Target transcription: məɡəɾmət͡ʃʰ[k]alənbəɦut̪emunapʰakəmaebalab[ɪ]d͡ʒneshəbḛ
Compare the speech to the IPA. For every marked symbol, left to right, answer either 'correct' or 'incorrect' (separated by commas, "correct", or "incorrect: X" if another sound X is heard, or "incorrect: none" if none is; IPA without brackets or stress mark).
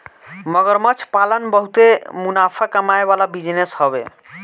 incorrect: p, incorrect: i